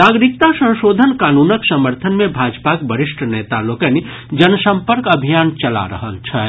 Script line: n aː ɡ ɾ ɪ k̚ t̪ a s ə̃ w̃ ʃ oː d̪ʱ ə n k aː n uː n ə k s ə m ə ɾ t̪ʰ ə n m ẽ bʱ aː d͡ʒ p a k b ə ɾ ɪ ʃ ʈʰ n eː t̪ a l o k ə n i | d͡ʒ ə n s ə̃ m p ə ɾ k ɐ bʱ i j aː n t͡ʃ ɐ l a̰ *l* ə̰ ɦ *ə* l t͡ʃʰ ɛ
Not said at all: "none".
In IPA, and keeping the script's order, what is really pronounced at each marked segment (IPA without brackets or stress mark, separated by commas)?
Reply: ɾ, ə